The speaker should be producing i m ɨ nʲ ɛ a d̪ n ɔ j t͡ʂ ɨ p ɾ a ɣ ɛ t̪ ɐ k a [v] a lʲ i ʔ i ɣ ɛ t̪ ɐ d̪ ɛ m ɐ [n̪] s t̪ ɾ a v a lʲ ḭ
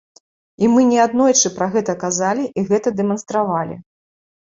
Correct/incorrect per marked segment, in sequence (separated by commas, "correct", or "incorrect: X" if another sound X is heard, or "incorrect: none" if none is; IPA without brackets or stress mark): incorrect: z, correct